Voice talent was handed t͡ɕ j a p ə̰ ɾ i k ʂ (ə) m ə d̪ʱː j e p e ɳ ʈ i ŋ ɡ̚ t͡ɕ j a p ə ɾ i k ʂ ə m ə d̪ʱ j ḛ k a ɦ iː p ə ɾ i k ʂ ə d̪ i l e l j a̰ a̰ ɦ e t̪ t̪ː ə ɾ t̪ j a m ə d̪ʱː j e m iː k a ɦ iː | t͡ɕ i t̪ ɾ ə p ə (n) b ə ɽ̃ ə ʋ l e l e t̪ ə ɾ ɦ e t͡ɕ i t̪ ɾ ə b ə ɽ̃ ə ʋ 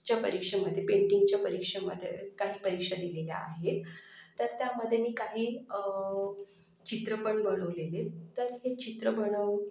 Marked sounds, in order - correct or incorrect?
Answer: correct, incorrect

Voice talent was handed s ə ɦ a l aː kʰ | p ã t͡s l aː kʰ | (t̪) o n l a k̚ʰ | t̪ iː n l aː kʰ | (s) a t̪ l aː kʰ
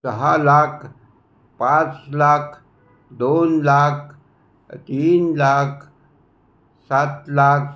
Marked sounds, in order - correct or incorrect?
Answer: incorrect, correct

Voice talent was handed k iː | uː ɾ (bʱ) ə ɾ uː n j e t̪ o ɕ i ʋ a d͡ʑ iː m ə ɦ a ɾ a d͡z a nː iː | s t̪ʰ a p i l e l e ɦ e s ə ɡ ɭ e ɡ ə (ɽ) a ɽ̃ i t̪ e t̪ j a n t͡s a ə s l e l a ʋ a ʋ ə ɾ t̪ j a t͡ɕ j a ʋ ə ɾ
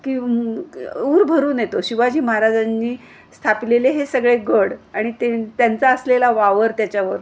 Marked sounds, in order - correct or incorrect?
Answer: correct, correct

